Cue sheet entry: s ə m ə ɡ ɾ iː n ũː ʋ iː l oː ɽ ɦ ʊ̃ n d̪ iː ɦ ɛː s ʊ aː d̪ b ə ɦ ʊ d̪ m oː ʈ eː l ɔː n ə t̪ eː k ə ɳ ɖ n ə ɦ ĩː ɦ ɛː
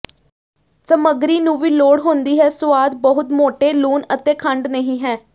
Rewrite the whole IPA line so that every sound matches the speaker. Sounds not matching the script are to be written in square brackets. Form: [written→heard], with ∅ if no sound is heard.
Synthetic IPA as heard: s ə m ə ɡ ɾ iː n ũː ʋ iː l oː ɽ ɦ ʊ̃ n d̪ iː ɦ ɛː s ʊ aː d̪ b ə ɦ ʊ [d̪→t̪] m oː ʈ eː l [ɔː→uː] n ə t̪ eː [k→kʰ] ə ɳ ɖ n ə ɦ ĩː ɦ ɛː